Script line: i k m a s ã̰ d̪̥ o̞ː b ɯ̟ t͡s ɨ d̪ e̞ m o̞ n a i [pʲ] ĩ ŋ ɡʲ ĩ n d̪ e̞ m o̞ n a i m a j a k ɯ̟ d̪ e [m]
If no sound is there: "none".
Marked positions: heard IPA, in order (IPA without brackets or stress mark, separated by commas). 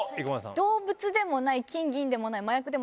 kʲ, m